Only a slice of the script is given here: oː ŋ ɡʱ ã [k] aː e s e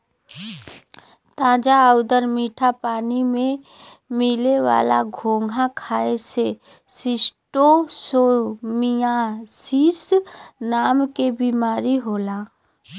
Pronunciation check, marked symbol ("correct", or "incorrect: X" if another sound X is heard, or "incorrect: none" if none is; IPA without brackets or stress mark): incorrect: kʰ